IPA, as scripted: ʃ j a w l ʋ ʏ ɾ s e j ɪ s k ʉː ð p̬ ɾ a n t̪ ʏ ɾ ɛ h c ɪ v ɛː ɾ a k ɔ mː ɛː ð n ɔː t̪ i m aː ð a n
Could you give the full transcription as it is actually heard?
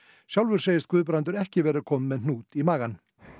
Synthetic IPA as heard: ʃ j a w l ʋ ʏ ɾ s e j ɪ s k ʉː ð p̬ ɾ a n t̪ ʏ ɾ ɛ h c ɪ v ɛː ɾ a kʰ ɔ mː ɛ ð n uː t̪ i m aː ɣ a n